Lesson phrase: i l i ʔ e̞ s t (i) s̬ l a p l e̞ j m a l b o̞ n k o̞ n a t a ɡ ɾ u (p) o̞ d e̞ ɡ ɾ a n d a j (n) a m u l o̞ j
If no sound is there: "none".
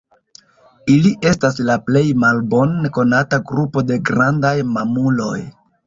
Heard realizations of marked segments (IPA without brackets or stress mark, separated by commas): a, p, m